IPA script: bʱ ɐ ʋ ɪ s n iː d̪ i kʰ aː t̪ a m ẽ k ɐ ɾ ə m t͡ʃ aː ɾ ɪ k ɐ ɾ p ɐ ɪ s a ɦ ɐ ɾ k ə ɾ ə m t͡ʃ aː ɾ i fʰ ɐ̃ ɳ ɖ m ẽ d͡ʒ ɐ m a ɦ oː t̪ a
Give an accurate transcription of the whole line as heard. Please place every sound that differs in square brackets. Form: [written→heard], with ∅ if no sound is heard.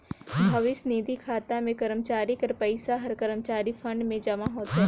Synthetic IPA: bʱ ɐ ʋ ɪ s n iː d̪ i kʰ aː t̪ a m ẽ k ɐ ɾ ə m t͡ʃ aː ɾ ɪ k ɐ ɾ p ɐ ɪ s a ɦ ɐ ɾ k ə ɾ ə m t͡ʃ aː ɾ i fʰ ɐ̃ ɳ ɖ m ẽ d͡ʒ ɐ m a ɦ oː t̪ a

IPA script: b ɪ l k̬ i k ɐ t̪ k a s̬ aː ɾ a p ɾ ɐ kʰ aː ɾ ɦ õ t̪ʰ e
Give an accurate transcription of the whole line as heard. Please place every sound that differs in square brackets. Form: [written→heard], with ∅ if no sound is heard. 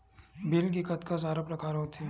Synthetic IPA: b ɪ l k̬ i k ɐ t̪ k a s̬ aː ɾ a p ɾ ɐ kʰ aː ɾ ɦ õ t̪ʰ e

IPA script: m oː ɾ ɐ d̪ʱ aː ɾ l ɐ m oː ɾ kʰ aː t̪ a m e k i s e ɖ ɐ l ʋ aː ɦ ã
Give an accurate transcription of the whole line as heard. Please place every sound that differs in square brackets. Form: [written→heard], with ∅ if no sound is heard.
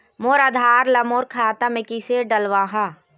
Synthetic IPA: m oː ɾ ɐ d̪ʱ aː ɾ l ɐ m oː ɾ kʰ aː t̪ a m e k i s e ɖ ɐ l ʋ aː ɦ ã

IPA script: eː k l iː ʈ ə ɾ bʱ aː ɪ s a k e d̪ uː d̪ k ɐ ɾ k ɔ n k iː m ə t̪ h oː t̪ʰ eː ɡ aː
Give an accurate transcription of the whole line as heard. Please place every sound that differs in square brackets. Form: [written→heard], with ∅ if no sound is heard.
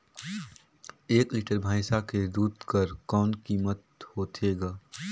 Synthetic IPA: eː k l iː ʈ ə ɾ bʱ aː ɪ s a k e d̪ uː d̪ k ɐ ɾ k [ɔ→ɔː] n k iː m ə t̪ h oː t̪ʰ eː ɡ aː

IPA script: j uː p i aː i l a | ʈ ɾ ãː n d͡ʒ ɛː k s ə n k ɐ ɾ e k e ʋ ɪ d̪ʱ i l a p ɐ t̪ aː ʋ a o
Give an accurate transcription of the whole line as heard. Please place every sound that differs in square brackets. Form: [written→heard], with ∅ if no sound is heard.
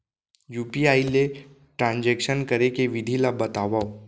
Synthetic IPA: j uː p i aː i l [a→e] | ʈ ɾ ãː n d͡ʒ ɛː k [s→ʃ] ə n k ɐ ɾ e k e ʋ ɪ d̪ʱ i l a [p→b] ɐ t̪ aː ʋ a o

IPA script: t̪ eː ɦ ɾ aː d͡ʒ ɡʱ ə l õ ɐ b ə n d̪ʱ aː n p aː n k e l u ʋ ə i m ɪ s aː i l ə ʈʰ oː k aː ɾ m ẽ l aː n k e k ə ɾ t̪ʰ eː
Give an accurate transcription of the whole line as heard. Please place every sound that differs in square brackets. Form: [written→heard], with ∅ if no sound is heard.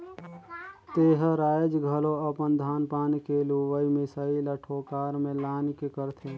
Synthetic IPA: t̪ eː ɦ ɾ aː d͡ʒ ɡʱ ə l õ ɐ [b→p] ə n d̪ʱ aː n p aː n k e l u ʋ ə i m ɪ s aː i l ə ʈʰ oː k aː ɾ m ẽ l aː n k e k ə ɾ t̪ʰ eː

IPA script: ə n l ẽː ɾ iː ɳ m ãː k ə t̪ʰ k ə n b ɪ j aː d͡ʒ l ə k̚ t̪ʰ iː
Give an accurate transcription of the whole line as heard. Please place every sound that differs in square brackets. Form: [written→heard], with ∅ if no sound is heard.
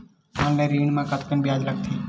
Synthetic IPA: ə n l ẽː ɾ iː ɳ m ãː k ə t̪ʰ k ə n b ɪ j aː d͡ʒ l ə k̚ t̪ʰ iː

